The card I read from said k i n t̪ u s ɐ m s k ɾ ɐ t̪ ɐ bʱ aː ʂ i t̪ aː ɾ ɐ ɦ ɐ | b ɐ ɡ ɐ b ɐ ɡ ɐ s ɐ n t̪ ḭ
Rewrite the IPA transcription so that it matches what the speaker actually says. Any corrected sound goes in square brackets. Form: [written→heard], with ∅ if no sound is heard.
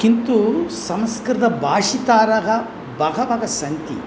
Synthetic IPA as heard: k i n t̪ u s ɐ m s k ɾ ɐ [t̪→d̪] ɐ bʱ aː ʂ i t̪ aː ɾ ɐ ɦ ɐ | b ɐ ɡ ɐ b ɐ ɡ ɐ s ɐ n t̪ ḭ